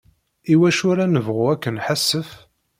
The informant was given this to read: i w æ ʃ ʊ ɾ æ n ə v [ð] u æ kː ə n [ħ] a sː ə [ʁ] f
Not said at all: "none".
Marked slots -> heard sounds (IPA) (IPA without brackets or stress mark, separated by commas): ʁ, ħ, none